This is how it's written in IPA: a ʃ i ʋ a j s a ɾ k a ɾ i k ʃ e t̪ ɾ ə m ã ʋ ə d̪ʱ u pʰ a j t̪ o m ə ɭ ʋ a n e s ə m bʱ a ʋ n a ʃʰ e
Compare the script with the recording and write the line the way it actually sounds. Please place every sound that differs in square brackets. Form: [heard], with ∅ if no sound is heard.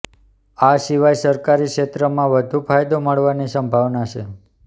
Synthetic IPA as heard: a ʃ i ʋ a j s [ə] ɾ k a ɾ i k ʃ e t̪ ɾ ə m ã ʋ ə d̪ʱ u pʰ a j [d̪] o m ə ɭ ʋ a n [i] s ə m bʱ a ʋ n a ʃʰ e

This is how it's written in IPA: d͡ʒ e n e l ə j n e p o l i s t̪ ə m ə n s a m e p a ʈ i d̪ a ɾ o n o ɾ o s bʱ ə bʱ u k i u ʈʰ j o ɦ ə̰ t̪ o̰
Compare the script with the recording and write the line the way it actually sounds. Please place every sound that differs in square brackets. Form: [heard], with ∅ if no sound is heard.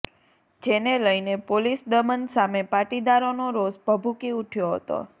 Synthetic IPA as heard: d͡ʒ e n e l ə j n e p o l i s [d̪] ə m ə n s a m e p a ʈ i d̪ a ɾ o n o ɾ o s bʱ ə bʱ u k i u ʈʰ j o ɦ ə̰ t̪ o̰

